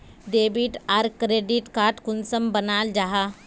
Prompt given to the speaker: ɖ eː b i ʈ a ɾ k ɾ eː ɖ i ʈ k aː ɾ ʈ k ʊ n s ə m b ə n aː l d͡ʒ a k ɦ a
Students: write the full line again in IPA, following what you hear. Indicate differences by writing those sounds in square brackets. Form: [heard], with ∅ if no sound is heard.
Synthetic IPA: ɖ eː b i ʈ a ɾ k ɾ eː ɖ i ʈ k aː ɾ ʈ k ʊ n s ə m b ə n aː l d͡ʒ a [∅] ɦ a